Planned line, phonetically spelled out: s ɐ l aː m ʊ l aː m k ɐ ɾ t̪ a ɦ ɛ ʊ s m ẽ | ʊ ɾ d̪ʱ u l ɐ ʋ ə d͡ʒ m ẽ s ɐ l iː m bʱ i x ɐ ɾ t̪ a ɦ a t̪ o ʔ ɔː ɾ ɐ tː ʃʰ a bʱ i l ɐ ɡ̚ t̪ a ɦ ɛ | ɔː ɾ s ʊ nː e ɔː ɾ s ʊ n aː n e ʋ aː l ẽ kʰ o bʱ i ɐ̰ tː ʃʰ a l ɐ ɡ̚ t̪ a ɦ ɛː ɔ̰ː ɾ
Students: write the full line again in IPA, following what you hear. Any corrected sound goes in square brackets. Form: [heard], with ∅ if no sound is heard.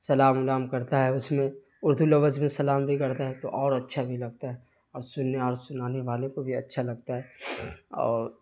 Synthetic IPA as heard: s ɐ l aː m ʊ l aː m k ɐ ɾ t̪ a ɦ ɛ ʊ s m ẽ | ʊ ɾ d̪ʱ u l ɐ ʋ ə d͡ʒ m ẽ s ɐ l [aː] m bʱ i [k] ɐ ɾ t̪ a ɦ [ɛ] t̪ o ʔ ɔː ɾ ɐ tː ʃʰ a bʱ i l ɐ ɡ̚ t̪ a ɦ ɛ | ɔː ɾ s ʊ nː e ɔː ɾ s ʊ n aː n e ʋ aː l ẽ [k] o bʱ i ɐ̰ tː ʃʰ a l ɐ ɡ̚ t̪ a ɦ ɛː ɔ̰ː ɾ